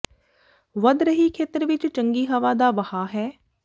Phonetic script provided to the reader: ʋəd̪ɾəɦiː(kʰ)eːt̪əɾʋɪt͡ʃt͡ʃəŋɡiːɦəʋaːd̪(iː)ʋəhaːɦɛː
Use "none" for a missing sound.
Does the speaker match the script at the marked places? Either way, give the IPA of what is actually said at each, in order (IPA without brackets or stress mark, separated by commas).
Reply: kʰ, aː